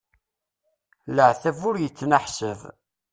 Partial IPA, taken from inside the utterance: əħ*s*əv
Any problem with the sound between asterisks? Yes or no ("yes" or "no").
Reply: no